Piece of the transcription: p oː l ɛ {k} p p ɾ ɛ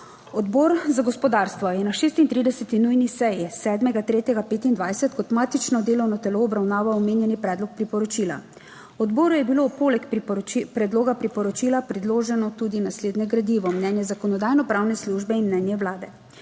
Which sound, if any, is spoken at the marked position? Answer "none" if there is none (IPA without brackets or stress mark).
k